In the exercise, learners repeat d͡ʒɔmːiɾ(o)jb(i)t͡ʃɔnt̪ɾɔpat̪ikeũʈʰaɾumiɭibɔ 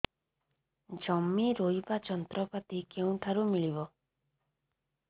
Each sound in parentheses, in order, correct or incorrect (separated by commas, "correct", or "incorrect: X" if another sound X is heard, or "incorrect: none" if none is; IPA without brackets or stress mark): correct, incorrect: a